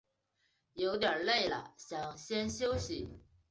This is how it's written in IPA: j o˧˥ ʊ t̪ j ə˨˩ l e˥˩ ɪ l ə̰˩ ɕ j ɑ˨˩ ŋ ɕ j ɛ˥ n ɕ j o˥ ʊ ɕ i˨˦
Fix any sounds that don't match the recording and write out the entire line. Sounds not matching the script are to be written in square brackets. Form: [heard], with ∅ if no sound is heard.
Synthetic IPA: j o˧˥ ʊ t̪ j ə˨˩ l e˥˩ ɪ l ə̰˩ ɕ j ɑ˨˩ ŋ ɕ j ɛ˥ n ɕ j o˥ ʊ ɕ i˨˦